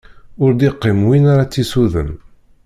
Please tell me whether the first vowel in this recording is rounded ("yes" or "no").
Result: yes